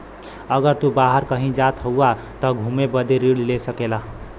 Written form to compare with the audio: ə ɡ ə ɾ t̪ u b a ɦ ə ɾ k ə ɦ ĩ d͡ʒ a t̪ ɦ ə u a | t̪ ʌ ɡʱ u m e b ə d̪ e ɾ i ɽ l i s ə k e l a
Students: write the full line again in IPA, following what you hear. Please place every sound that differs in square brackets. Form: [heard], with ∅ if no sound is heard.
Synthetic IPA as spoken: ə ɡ ə ɾ t̪ u b a ɦ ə ɾ k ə ɦ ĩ d͡ʒ a t̪ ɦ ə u a | t̪ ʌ ɡʱ u m e b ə d̪ e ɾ i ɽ l [e] s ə k e l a